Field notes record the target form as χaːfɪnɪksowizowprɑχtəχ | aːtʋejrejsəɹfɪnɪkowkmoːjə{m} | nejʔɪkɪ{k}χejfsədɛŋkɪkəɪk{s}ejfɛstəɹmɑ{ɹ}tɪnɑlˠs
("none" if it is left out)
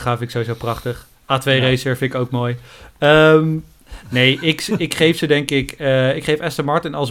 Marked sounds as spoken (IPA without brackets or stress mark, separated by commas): m, k, χ, ɹ